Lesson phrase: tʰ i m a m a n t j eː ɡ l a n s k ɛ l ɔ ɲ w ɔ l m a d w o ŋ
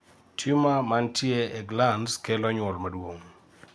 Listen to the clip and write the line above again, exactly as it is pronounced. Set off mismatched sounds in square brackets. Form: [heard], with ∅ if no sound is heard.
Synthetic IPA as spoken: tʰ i m a m a n t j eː ɡ l a n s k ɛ l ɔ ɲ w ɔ l m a d w o ŋ